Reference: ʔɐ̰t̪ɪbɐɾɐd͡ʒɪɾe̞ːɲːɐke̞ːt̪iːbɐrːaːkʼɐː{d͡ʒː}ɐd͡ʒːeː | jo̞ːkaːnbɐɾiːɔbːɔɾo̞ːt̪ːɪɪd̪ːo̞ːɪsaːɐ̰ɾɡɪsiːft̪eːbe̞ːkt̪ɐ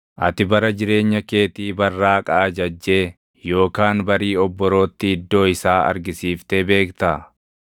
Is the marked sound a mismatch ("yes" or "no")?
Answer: yes